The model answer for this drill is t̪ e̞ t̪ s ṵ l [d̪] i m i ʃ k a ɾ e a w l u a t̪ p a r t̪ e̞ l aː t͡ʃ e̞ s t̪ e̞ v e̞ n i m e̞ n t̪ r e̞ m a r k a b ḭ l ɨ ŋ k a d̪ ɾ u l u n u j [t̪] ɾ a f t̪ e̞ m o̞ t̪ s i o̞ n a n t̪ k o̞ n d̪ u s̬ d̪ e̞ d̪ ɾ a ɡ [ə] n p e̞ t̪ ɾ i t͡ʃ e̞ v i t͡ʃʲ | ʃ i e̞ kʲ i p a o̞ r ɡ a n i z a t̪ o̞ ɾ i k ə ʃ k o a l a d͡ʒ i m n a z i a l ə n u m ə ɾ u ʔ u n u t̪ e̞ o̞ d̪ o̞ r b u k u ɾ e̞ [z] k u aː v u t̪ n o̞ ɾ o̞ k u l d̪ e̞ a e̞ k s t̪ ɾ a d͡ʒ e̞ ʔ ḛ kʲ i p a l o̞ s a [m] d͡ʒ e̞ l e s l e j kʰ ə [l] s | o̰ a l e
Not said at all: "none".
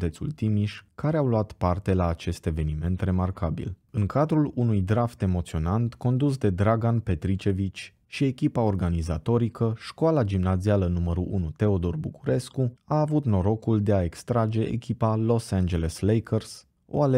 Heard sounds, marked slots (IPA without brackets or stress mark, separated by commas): t̪, d̪, a, s, n, r